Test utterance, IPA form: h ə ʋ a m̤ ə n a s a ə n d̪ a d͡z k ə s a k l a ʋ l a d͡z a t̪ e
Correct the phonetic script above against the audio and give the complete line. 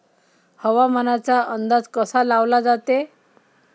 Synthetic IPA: h ə ʋ a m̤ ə n a t͡s a ə n d̪ a d͡z k ə s a l a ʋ l a d͡z a t̪ e